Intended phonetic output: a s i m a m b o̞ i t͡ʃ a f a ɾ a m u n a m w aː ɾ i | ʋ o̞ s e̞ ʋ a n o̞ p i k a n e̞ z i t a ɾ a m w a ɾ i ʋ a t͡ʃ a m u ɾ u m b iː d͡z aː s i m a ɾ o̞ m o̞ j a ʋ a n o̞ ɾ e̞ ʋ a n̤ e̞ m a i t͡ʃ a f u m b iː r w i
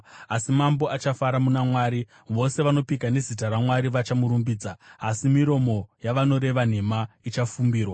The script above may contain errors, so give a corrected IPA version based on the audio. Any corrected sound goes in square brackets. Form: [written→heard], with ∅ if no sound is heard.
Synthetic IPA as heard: a s i m a m b o̞ [i→a] t͡ʃ a f a ɾ a m u n a m w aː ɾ i | ʋ o̞ s e̞ ʋ a n o̞ p i k a n e̞ z i t a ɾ a m w a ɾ i ʋ a t͡ʃ a m u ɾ u m b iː d͡z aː s i m [a→i] ɾ o̞ m o̞ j a ʋ a n o̞ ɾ e̞ ʋ a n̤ e̞ m a i t͡ʃ a f u m b iː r w [i→a]